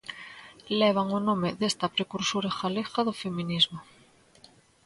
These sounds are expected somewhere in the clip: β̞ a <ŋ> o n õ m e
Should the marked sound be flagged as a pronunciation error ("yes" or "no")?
no